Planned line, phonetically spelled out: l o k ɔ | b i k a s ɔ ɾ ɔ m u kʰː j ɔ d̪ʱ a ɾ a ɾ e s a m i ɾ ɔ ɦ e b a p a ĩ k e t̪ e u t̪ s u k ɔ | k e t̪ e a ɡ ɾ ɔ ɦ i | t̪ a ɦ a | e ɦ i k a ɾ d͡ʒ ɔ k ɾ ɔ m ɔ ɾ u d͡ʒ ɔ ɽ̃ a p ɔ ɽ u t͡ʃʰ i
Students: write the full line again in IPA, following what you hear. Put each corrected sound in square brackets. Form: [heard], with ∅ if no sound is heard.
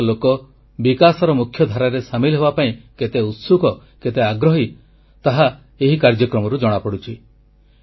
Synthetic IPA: l o k ɔ | b i k a s ɔ ɾ ɔ m u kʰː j ɔ d̪ʱ a ɾ a ɾ e s a m i [l] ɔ ɦ e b a p a ĩ k e t̪ e u t̪ s u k ɔ | k e t̪ e a ɡ ɾ ɔ ɦ i | t̪ a ɦ a | e ɦ i k a ɾ d͡ʒ ɔ k ɾ ɔ m ɔ ɾ u d͡ʒ ɔ ɽ̃ a p ɔ ɽ u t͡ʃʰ i